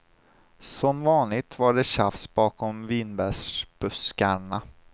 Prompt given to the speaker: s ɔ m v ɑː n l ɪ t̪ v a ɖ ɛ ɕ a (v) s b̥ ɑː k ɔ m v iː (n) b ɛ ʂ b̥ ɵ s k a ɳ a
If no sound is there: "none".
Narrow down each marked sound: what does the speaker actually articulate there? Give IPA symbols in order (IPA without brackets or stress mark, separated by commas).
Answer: f, n